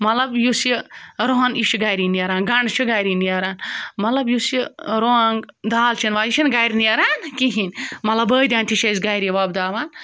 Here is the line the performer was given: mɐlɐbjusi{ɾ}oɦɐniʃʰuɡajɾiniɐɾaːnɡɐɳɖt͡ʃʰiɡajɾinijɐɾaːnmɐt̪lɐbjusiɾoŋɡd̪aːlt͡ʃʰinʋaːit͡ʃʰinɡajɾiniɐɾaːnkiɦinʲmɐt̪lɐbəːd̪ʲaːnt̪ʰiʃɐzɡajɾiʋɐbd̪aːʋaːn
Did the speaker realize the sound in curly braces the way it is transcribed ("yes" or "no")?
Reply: yes